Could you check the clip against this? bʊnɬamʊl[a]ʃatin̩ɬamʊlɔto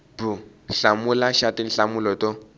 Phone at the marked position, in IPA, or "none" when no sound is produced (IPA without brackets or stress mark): a